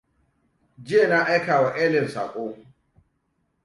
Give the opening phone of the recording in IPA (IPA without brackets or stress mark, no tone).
d͡ʒ